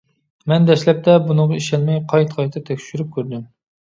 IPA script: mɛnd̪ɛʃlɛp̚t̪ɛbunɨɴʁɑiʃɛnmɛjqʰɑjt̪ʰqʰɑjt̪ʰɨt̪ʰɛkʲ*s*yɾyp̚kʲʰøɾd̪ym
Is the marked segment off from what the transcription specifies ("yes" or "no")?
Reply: yes